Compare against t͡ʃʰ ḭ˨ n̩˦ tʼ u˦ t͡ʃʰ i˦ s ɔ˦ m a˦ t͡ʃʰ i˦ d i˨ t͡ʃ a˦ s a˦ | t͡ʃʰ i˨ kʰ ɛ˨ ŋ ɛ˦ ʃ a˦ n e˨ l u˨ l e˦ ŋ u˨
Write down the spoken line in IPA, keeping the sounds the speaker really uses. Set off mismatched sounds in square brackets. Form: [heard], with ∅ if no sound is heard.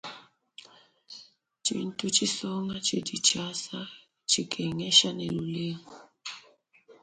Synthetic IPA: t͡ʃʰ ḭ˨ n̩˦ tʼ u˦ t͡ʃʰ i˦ s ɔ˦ [ŋ] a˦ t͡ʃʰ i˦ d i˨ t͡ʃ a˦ s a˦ | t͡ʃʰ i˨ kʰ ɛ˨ ŋ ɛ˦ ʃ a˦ n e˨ l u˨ l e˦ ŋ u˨